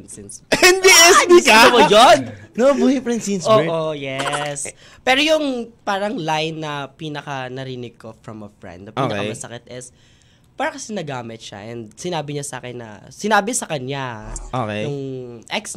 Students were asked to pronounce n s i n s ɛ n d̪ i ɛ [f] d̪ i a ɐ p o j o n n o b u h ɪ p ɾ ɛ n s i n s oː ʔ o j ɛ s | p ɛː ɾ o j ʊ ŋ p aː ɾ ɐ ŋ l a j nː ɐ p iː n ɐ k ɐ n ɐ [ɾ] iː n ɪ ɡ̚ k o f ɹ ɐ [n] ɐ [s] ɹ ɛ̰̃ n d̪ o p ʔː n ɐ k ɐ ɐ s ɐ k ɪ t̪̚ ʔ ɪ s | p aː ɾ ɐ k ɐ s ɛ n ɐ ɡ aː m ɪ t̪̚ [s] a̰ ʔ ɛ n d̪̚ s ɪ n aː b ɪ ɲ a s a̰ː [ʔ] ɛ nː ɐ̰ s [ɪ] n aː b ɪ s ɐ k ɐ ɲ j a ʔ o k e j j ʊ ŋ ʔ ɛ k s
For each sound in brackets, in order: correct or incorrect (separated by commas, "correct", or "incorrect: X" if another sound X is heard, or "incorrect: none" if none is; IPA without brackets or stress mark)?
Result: incorrect: s, correct, incorrect: m, incorrect: f, incorrect: ʃ, incorrect: k, correct